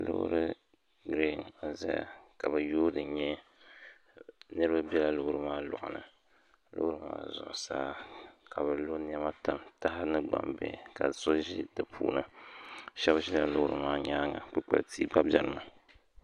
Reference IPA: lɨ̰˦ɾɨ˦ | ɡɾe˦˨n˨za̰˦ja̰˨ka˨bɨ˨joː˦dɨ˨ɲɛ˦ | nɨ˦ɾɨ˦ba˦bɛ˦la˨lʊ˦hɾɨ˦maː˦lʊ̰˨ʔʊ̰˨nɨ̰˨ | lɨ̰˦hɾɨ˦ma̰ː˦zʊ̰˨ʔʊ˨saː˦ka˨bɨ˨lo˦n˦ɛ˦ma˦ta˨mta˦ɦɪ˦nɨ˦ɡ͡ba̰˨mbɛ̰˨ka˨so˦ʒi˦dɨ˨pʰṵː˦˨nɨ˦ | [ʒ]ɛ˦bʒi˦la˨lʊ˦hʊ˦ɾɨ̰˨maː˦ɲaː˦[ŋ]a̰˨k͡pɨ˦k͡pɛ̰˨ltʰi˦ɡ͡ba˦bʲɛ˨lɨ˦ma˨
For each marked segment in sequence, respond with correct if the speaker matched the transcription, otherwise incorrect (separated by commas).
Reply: incorrect, correct